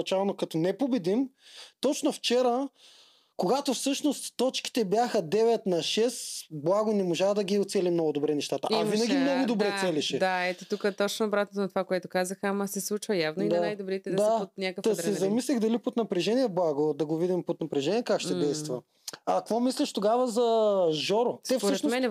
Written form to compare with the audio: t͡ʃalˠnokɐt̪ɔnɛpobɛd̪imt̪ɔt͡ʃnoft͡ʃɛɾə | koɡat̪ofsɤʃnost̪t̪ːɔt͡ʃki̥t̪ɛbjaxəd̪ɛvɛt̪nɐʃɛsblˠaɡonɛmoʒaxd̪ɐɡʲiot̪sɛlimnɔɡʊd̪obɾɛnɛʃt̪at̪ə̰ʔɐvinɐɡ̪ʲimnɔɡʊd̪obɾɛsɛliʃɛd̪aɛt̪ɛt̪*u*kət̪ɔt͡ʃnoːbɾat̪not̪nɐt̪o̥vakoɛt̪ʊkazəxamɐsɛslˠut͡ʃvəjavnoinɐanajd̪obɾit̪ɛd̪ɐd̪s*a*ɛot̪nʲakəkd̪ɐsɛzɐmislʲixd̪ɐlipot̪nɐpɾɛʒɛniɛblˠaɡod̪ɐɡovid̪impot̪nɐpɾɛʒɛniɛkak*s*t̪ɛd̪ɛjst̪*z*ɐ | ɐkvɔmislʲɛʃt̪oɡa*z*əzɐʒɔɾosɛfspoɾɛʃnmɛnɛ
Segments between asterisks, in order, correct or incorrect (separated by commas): correct, correct, incorrect, incorrect, incorrect